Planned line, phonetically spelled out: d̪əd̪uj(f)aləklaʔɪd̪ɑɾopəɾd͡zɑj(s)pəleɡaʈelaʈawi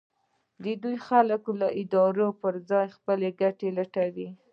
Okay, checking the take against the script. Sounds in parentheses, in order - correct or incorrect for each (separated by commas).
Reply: incorrect, incorrect